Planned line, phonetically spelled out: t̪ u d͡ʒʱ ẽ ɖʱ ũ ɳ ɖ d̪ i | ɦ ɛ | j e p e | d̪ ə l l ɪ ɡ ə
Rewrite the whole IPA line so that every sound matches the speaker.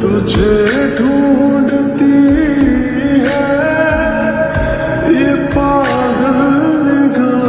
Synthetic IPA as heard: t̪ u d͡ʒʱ e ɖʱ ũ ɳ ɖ t̪ i | ɦ ɛ | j e p a | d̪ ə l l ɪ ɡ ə